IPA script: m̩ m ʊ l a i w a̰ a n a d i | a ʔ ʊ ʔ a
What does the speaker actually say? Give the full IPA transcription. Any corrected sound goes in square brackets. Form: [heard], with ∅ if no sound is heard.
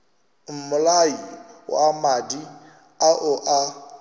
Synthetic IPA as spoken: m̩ m ʊ l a i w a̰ a [m] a d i | a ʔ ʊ ʔ a